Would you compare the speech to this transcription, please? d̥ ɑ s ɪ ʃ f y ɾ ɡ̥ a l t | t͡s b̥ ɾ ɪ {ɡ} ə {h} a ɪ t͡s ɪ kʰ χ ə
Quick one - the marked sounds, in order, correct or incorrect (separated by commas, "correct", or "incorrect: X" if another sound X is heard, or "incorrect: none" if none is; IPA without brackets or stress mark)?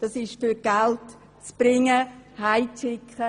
incorrect: ŋ, correct